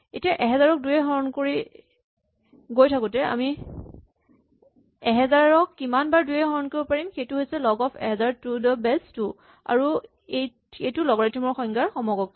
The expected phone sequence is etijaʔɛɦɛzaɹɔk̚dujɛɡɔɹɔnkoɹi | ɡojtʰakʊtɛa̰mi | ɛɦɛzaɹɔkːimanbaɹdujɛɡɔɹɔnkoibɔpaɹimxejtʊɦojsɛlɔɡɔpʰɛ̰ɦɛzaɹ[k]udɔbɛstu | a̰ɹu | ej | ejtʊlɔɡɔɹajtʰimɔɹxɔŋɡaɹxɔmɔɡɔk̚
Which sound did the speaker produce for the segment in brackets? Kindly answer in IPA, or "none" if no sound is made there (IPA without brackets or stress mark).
t